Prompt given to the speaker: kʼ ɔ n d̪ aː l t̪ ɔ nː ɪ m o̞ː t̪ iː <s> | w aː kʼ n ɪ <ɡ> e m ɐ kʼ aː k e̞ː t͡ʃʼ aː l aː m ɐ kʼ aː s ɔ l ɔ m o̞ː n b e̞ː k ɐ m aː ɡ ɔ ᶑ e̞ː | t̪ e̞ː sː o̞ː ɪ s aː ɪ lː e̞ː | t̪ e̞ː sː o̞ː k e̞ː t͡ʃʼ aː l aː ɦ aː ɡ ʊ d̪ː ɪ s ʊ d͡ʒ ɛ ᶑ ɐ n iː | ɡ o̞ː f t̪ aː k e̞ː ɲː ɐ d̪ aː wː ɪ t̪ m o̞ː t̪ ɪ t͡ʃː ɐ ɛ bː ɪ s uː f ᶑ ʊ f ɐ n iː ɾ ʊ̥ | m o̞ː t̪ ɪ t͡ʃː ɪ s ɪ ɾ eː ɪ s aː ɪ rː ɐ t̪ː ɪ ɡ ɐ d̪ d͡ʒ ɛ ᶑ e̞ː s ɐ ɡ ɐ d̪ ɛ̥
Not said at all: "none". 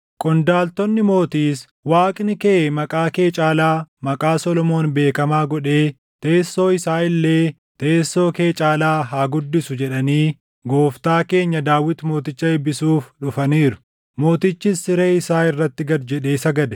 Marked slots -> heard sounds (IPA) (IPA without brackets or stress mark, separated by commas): s, k